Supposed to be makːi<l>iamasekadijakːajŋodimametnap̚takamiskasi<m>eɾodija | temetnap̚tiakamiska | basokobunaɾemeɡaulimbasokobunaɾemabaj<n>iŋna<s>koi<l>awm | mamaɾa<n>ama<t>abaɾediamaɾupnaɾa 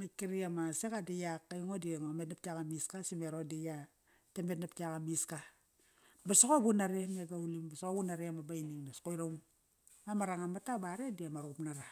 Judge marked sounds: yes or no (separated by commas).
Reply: no, yes, yes, yes, no, no, yes